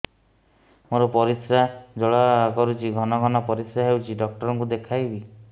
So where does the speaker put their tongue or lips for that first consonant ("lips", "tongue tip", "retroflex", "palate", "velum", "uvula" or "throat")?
lips